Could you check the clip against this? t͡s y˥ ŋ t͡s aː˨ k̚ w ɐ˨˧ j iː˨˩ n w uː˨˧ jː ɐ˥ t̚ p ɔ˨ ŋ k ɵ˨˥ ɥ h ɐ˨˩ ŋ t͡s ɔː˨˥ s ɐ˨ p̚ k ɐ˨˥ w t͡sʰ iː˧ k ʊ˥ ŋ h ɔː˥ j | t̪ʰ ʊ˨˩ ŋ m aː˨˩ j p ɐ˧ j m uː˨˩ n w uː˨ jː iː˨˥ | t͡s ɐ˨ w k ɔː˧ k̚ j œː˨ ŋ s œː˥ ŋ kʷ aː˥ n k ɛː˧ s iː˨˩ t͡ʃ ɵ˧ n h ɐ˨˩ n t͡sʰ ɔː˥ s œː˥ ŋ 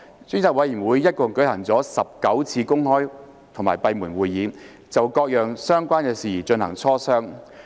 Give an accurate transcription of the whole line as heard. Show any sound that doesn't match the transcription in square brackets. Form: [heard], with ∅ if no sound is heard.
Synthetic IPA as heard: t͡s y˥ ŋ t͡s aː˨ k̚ w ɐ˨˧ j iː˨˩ n w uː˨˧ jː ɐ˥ t̚ [k] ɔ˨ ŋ k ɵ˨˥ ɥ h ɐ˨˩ ŋ t͡s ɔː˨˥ s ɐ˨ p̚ k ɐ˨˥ w t͡sʰ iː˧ k ʊ˥ ŋ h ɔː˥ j | t̪ʰ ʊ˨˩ ŋ m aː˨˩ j p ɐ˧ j m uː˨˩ n w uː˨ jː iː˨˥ | t͡s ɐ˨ w k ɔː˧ k̚ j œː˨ ŋ s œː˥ ŋ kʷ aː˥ n k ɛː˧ s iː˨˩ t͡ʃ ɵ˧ n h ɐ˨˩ [ŋ] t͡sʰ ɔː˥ s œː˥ ŋ